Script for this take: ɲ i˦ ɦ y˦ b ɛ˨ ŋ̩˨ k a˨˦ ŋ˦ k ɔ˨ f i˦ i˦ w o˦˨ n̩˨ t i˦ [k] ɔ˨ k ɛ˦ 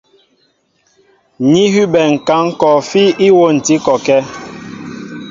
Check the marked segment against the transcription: correct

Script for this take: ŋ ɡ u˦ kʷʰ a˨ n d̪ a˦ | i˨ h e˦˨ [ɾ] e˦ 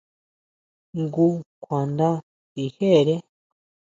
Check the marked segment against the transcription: correct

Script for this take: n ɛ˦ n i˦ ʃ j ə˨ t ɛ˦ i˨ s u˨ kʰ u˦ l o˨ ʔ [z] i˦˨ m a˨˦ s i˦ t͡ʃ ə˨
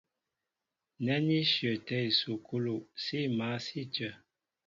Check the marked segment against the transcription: incorrect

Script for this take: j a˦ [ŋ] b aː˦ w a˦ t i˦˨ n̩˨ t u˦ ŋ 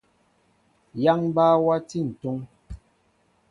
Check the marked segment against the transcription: correct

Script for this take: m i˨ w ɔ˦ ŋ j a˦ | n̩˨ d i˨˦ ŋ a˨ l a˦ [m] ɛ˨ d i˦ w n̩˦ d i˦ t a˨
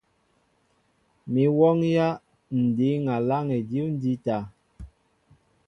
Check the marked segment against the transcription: incorrect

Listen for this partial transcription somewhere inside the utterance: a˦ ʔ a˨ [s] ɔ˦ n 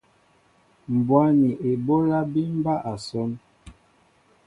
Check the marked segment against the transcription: correct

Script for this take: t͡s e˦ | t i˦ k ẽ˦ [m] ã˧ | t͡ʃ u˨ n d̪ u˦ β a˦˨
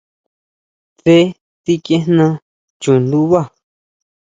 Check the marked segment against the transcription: incorrect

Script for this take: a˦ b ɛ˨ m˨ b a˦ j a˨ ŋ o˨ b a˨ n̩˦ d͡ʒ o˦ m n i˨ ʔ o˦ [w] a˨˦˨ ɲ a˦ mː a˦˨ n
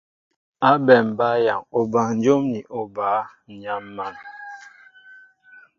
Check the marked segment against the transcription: incorrect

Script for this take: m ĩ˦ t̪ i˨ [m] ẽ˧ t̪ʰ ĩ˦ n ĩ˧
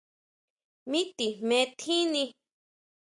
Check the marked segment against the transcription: correct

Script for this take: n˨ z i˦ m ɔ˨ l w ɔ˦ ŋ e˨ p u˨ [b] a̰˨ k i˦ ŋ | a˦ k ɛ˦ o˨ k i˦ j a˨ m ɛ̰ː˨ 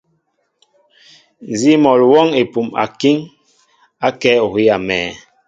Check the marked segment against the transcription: incorrect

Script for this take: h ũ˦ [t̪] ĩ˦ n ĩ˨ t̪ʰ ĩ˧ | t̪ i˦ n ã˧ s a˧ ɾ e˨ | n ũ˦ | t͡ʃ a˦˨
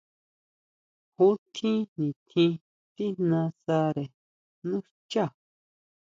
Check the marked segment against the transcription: incorrect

